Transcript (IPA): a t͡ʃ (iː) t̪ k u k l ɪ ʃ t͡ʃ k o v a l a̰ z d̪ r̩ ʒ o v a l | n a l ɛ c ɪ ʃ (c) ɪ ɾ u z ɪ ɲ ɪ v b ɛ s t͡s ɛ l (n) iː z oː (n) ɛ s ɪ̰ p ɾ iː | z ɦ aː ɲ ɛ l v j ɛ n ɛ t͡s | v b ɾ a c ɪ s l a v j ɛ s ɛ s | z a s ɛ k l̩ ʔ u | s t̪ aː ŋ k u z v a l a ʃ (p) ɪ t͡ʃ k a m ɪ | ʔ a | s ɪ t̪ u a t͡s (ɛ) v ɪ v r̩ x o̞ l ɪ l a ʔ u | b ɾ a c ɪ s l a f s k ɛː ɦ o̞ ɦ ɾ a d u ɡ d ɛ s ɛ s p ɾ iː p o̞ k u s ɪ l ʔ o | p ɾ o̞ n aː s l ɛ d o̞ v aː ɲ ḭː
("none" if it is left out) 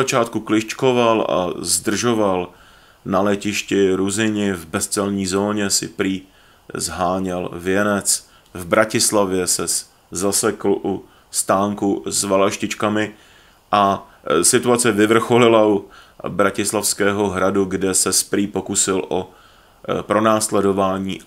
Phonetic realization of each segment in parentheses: aː, c, ɲ, ɲ, c, ɛ

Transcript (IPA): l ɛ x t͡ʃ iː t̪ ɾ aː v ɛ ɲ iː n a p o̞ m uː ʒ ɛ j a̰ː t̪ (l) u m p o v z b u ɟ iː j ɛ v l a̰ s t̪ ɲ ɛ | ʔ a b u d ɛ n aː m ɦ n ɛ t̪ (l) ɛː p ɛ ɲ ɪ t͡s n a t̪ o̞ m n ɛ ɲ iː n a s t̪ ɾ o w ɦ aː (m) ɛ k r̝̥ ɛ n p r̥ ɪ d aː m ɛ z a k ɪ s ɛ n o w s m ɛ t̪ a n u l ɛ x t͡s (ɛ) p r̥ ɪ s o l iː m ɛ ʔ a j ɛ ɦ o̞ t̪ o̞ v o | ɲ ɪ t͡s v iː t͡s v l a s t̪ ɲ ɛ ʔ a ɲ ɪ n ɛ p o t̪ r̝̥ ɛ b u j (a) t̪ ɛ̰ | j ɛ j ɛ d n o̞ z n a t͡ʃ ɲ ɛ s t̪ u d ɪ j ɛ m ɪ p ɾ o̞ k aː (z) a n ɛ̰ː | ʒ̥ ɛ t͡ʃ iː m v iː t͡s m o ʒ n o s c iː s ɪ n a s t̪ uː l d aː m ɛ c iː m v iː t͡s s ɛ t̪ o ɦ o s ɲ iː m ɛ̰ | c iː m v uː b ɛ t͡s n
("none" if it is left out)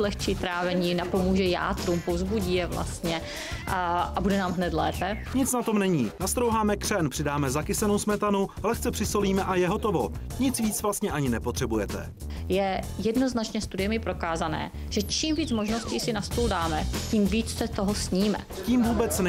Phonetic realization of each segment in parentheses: ɾ, l, m, ɛ, ɛ, z

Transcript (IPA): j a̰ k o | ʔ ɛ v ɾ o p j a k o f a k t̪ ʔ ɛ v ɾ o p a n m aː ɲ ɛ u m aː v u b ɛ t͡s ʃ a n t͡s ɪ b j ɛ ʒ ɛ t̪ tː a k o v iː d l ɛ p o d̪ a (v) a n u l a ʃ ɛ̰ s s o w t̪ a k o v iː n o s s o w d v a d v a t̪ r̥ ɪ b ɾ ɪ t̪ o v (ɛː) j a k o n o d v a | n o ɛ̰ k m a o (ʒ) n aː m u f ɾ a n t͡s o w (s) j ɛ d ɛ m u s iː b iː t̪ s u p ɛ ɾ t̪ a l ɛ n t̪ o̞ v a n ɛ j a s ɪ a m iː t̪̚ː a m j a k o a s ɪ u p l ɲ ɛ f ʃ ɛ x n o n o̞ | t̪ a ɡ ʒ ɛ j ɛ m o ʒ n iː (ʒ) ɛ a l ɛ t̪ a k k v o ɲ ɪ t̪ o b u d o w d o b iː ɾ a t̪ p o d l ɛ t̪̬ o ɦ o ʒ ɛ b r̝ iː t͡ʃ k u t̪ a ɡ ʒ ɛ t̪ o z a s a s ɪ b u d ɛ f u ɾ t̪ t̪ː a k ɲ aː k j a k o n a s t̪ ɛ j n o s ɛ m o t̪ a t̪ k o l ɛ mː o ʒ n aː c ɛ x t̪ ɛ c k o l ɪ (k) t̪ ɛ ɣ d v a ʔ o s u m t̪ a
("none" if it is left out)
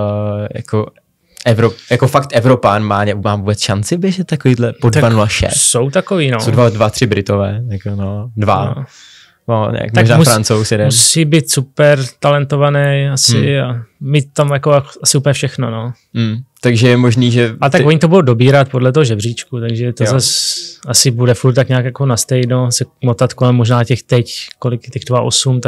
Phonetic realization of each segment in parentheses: v, ɛː, ʒ, s, ʒ, k

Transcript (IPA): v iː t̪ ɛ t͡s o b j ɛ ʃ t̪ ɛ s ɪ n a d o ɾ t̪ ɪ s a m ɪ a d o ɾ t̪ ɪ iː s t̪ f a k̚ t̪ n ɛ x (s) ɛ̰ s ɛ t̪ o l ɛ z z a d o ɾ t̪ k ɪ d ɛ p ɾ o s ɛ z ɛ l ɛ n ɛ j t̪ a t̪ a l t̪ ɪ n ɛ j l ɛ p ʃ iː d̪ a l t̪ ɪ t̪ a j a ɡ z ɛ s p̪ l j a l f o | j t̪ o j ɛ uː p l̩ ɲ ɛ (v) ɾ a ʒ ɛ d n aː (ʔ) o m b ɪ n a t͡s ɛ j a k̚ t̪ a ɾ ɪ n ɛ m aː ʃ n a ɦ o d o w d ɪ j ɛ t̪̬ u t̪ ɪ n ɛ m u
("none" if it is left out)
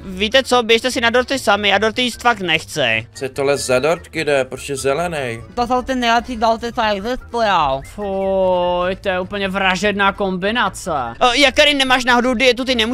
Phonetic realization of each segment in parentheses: t͡s, v, k

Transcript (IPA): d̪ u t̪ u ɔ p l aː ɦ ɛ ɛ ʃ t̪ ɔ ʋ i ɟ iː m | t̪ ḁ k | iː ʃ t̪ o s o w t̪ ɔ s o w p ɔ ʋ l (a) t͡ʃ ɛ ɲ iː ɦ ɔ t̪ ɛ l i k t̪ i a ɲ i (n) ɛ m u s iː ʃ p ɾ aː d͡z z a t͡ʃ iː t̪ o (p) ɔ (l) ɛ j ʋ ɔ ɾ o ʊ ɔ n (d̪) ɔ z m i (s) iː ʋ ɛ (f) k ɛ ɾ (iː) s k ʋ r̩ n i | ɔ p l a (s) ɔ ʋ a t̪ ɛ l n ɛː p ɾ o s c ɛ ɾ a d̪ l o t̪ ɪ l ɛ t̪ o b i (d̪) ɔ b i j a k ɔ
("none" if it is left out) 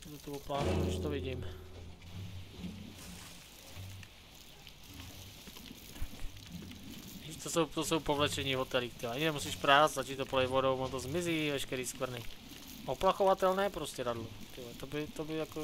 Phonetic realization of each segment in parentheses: ɛ, n, p, l, t̪, z, ʃ, iː, x, t̪

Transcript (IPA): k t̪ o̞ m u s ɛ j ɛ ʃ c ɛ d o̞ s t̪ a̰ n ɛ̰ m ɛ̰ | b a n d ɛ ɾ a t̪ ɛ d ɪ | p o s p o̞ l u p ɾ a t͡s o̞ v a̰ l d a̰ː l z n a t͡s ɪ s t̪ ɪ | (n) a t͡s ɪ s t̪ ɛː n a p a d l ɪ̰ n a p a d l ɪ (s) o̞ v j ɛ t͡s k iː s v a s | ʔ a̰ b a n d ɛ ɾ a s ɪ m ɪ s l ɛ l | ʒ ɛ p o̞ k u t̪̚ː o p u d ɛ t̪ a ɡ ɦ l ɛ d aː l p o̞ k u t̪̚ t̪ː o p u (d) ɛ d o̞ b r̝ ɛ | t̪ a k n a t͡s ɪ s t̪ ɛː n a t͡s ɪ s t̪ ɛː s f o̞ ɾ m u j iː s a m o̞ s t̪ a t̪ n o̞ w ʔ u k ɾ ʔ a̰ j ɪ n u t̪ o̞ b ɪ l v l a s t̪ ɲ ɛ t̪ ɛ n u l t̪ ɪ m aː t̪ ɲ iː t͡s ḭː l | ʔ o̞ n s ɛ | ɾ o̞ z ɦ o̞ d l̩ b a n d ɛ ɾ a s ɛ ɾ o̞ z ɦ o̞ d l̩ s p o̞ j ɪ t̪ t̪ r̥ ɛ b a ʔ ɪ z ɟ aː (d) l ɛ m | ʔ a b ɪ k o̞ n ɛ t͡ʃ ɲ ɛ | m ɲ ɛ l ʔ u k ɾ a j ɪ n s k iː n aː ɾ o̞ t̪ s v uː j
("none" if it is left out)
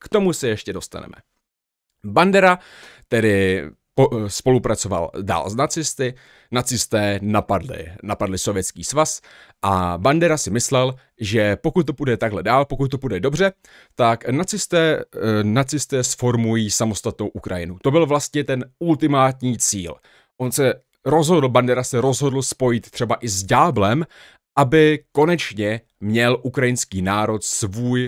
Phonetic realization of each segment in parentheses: n, s, d, b

